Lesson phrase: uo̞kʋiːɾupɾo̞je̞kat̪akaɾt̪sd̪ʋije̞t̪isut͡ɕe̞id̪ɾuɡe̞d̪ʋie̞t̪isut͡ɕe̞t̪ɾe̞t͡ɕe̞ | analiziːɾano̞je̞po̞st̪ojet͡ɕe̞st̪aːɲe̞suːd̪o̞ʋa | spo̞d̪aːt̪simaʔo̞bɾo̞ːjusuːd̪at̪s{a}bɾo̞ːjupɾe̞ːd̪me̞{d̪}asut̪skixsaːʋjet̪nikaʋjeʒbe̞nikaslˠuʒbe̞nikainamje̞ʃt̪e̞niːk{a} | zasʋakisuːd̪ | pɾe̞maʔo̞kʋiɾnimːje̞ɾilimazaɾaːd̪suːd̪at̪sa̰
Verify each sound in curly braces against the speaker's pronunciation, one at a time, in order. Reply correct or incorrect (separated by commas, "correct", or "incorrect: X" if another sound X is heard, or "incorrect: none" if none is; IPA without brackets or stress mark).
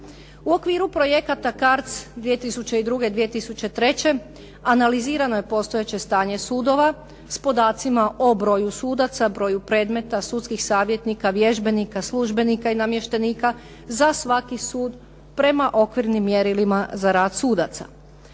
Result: correct, incorrect: t̪, correct